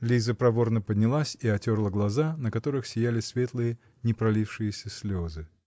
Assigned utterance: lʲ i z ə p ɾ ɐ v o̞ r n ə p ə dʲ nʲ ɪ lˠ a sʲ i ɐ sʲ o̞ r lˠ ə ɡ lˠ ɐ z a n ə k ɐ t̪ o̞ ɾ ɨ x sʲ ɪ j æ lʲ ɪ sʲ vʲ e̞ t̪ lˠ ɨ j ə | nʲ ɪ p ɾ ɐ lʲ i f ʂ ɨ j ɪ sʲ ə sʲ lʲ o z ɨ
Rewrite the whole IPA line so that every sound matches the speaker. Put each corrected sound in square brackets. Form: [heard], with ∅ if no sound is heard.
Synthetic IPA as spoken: lʲ i z ə p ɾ ɐ v o̞ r n ə p ə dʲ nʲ ɪ lˠ a sʲ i ɐ [tʲ] o̞ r lˠ ə ɡ lˠ ɐ z a n ə k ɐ t̪ o̞ ɾ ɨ x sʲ ɪ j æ lʲ ɪ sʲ vʲ e̞ t̪ lˠ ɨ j ə | nʲ ɪ p ɾ ɐ lʲ i f ʂ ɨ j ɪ sʲ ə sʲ lʲ o z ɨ